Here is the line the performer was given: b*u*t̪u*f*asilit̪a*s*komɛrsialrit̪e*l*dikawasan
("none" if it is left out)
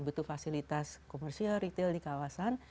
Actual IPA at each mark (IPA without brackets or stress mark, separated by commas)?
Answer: u, f, s, l